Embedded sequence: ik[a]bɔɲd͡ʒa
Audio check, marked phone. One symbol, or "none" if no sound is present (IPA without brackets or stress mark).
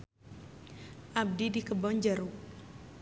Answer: ə